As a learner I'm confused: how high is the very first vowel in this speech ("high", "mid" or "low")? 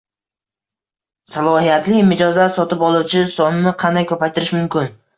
low